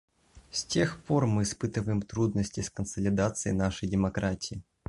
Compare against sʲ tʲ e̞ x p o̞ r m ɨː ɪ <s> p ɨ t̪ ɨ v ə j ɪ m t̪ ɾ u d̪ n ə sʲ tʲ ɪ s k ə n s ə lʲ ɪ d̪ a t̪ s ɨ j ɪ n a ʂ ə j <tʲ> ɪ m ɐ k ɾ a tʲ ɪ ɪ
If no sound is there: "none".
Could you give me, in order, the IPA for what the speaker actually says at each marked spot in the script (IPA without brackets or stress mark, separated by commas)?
s, dʲ